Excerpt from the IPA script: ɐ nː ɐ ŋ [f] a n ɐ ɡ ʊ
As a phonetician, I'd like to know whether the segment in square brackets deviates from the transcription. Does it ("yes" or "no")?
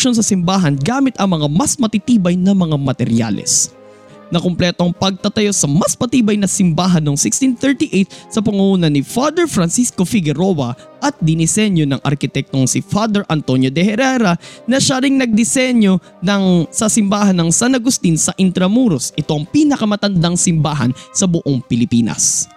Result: yes